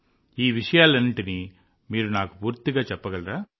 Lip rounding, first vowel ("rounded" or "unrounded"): unrounded